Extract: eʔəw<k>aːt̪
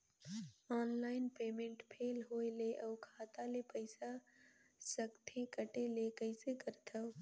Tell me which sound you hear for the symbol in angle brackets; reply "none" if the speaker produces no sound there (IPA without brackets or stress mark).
kʰ